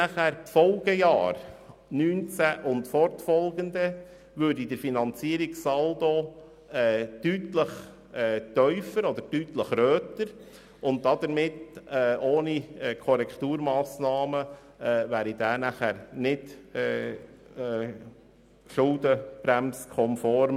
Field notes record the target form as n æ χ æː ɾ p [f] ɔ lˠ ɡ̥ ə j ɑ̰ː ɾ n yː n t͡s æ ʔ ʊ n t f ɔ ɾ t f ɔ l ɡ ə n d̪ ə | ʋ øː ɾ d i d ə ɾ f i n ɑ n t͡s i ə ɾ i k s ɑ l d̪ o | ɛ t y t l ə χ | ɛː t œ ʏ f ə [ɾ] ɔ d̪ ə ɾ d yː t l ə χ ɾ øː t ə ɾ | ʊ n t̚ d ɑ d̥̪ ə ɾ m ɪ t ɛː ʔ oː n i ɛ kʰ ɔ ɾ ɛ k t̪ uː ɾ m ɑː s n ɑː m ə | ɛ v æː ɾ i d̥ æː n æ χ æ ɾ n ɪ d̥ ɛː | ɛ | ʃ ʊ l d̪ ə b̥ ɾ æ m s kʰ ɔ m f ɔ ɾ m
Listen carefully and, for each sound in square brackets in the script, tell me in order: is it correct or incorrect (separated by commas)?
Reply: correct, correct